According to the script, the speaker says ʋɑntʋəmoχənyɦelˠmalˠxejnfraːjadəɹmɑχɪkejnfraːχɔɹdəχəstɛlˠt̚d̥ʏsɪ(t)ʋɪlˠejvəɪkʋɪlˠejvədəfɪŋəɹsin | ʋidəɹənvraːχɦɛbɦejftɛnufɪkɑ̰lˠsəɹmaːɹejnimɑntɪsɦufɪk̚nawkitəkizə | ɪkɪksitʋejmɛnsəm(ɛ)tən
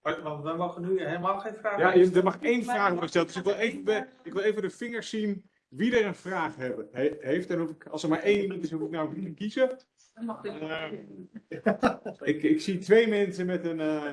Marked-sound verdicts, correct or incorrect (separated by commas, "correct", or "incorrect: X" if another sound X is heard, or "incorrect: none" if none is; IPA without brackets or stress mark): incorrect: k, correct